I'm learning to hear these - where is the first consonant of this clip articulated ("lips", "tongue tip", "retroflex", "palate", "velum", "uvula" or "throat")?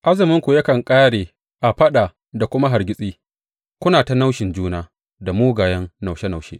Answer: throat